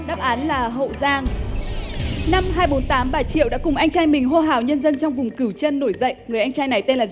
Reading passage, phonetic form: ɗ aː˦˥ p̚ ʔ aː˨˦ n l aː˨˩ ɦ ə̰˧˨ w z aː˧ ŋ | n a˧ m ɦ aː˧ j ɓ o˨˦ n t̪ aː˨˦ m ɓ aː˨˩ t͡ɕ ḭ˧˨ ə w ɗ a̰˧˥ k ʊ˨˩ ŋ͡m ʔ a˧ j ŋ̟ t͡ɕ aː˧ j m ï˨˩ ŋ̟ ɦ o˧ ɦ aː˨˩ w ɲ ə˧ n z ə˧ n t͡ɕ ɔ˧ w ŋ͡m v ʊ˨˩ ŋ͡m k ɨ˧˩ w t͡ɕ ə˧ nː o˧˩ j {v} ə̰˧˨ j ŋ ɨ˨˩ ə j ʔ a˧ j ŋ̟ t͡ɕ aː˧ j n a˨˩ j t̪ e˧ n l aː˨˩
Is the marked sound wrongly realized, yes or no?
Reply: yes